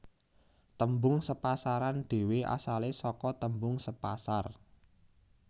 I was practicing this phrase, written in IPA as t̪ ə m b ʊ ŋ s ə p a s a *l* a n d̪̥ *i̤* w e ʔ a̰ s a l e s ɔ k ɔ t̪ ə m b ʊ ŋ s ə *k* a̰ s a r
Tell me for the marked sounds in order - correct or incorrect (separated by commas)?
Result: incorrect, incorrect, incorrect